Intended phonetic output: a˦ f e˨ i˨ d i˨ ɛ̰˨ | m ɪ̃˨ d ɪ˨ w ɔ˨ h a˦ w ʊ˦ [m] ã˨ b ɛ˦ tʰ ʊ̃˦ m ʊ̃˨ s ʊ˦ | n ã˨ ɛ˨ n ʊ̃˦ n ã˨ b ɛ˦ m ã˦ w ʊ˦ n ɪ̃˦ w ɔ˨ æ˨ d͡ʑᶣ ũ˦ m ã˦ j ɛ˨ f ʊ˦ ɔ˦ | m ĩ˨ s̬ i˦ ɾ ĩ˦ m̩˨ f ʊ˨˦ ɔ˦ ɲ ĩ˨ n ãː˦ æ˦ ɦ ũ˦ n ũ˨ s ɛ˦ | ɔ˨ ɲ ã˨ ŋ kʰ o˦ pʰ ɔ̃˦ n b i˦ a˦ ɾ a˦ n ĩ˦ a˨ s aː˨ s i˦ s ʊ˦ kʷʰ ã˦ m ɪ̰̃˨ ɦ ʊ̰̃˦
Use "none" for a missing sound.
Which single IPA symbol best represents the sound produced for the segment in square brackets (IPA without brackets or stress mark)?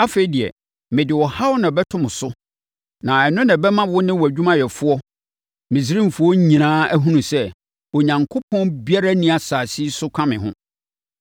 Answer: n